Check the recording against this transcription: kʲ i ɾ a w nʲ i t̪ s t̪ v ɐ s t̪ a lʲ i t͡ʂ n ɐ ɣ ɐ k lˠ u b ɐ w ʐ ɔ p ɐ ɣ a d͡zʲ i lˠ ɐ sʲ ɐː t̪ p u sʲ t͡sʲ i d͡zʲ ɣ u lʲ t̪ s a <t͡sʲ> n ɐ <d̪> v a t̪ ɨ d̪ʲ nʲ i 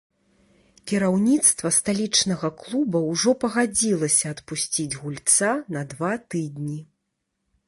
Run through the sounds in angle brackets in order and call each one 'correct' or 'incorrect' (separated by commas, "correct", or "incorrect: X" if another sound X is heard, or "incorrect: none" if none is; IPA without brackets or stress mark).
incorrect: none, correct